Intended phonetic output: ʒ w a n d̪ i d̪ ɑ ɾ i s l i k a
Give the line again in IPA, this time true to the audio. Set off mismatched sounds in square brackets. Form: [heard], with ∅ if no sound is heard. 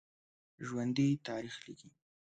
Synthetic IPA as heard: ʒ w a n d̪ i [t̪] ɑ ɾ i [x] l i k [i]

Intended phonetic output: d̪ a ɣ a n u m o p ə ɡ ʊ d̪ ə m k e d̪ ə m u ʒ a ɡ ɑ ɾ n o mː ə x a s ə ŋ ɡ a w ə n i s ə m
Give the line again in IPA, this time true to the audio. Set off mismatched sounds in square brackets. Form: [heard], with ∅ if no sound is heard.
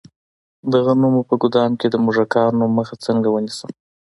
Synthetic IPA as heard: d̪ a ɣ a n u m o p ə ɡ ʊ d̪ [ɑ] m k e d̪ ə m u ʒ a [k] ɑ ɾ n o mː ə x a [t͡s] ə ŋ ɡ a w ə n i s ə m

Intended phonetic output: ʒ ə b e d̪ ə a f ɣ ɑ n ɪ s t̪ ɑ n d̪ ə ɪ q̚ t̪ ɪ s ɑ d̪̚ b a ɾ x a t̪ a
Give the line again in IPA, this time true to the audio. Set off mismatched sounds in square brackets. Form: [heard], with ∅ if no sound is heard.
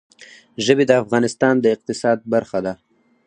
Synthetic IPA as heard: ʒ ə b e d̪ ə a f ɣ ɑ n ɪ s t̪ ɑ n d̪ ə ɪ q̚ t̪ ɪ s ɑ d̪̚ b a ɾ x a [d̪] a

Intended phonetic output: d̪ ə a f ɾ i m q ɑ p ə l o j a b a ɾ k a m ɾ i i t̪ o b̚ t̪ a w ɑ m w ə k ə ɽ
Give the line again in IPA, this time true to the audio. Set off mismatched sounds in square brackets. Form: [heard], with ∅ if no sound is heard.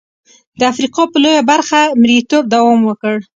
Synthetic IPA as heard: d̪ ə a f ɾ i [∅] q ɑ p ə l o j a b a ɾ [x] a m ɾ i i t̪ o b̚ [d̪] a w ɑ m w ə k ə ɽ

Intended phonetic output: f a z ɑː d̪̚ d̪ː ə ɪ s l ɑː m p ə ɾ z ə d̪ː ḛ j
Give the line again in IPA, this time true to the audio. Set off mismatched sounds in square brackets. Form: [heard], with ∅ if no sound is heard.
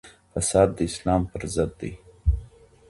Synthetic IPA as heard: f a [s] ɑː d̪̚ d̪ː ə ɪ s l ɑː m p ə ɾ z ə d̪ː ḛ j

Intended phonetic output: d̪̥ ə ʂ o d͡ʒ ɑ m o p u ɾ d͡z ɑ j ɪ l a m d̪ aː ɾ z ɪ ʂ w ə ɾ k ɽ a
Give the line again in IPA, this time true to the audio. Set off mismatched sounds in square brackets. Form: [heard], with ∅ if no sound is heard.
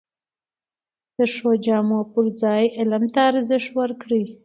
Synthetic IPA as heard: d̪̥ ə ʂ o d͡ʒ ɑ m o p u ɾ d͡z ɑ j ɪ l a m [t̪] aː ɾ z ɪ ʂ w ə ɾ k ɽ [i]

